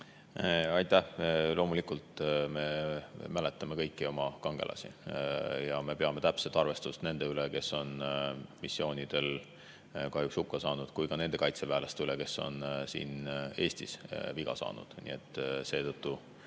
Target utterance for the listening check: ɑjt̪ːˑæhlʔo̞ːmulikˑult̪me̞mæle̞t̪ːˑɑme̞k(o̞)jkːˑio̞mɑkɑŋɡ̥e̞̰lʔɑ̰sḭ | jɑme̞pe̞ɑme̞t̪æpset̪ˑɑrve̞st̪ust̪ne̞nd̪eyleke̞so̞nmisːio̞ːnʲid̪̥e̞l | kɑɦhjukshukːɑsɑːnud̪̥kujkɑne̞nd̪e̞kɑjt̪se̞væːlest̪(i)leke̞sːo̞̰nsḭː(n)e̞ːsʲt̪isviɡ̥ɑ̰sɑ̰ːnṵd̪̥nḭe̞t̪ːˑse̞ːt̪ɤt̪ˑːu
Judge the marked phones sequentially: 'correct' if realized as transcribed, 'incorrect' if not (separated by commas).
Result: incorrect, incorrect, correct